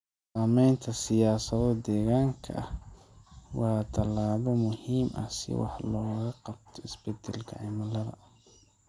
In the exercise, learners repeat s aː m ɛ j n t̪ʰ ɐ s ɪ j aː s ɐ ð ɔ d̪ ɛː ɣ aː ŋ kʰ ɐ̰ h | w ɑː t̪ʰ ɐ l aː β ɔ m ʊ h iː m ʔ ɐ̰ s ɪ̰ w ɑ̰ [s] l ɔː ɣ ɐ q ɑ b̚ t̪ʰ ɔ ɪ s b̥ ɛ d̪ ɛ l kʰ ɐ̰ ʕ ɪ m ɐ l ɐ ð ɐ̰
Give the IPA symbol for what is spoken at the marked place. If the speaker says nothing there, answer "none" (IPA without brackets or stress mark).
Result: ħ